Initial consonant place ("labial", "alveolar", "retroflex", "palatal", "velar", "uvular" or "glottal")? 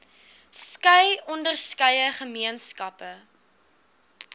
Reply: alveolar